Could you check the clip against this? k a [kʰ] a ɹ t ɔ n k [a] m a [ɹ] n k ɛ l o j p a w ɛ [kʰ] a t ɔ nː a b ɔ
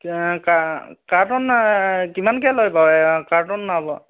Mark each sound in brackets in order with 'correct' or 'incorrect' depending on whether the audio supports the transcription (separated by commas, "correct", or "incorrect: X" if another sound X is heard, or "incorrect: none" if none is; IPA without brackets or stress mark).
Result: incorrect: k, incorrect: i, incorrect: none, incorrect: k